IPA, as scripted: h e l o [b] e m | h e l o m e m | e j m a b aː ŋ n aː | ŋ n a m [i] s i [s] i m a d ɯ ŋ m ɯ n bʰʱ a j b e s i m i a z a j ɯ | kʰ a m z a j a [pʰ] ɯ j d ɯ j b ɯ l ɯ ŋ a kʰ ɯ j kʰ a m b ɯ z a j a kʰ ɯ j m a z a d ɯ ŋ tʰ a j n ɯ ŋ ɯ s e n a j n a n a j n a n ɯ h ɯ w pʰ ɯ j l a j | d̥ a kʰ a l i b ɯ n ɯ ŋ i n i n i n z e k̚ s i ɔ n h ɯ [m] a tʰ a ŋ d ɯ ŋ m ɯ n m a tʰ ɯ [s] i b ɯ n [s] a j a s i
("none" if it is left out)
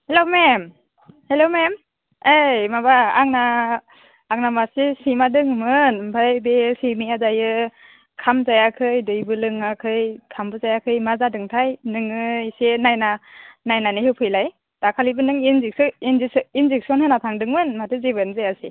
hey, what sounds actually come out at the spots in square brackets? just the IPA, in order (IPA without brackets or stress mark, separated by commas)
m, a, s, kʰ, n, z, z